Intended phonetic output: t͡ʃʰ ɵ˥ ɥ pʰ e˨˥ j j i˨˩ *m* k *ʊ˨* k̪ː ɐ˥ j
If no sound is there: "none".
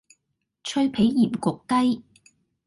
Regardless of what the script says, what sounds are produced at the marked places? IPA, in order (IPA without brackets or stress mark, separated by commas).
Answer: m, ʊ˨